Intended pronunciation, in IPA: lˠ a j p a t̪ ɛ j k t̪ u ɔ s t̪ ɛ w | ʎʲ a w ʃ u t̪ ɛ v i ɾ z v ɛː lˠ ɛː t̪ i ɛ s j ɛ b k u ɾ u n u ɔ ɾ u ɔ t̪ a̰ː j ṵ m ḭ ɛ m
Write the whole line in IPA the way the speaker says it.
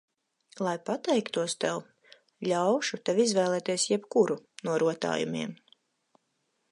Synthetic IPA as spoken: lˠ a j p a t̪ ɛ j k t̪ u ɔ s t̪ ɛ w | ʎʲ a w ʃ u t̪ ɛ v i z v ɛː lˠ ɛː t̪ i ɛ s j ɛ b k u ɾ u n u ɔ ɾ u ɔ t̪ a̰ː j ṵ m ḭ ɛ m